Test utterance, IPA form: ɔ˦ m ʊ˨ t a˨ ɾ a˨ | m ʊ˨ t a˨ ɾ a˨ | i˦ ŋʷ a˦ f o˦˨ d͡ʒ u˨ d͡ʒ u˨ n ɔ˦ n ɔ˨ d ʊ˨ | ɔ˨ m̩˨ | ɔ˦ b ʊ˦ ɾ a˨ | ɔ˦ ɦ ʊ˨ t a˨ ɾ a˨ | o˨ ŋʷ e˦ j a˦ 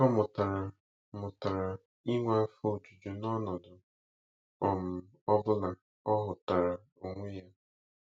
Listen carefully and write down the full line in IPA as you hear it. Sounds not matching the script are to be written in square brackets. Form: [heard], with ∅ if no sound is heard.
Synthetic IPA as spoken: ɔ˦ m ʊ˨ t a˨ ɾ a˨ | m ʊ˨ t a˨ ɾ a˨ | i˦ ŋʷ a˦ f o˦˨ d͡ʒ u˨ d͡ʒ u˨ n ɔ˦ n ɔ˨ d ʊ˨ | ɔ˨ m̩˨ | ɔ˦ b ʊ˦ [l] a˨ | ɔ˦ ɦ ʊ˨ t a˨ ɾ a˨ | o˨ ŋʷ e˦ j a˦